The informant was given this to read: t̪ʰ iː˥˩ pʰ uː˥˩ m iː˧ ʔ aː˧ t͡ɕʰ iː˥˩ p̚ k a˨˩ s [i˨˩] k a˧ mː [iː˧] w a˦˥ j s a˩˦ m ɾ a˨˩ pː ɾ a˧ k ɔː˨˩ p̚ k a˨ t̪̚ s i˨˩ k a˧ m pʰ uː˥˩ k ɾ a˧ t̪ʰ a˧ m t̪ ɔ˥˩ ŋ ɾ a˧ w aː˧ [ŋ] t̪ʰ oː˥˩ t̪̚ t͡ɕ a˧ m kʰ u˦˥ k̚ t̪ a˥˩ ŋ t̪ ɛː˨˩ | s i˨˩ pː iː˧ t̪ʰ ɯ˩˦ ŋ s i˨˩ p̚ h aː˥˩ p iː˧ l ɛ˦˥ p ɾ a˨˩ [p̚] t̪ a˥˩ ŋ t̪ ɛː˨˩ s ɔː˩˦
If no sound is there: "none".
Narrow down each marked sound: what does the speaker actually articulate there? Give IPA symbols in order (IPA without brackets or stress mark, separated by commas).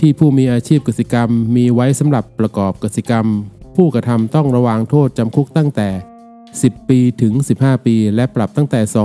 i˨˩, iː˧, ŋ, p̚